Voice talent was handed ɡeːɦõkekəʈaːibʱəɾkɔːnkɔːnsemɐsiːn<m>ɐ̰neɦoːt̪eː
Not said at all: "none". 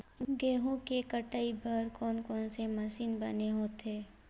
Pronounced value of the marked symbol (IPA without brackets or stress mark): b